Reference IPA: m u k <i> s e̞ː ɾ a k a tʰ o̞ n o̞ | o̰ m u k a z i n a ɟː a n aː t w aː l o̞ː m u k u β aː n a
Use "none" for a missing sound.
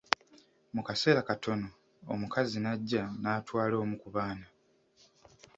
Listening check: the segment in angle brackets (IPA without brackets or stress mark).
a